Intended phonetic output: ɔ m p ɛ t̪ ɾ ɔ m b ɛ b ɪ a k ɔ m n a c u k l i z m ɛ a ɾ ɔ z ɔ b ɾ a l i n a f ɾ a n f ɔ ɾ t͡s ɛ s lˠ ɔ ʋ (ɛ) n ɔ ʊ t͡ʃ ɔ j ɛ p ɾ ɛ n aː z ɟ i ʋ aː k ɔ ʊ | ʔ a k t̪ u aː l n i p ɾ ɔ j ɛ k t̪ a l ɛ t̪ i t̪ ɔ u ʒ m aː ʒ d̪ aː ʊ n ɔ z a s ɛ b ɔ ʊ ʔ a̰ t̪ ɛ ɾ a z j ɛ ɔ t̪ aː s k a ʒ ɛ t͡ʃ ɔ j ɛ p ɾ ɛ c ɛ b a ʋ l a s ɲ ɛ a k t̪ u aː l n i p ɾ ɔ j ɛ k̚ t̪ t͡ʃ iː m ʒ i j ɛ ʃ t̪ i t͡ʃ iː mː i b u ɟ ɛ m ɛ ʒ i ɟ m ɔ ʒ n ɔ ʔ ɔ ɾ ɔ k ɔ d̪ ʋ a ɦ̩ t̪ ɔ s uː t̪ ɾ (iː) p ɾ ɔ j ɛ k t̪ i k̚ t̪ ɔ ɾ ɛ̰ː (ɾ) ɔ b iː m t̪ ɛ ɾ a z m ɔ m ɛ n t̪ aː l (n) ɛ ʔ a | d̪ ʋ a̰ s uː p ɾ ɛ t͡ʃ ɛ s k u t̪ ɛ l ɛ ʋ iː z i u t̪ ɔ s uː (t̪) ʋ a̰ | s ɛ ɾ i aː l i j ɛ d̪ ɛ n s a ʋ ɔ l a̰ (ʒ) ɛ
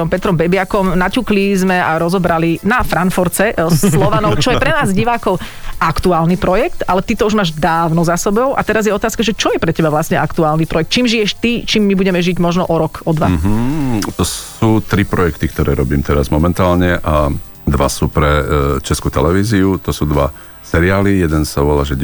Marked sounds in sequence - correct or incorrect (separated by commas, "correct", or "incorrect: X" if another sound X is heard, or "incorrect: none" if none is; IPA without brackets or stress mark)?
incorrect: a, incorrect: i, correct, incorrect: ɲ, incorrect: d̪, correct